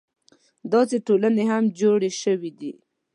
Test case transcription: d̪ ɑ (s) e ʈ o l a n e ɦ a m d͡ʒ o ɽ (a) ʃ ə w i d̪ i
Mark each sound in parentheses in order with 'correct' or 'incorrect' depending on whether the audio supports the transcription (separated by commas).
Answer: correct, incorrect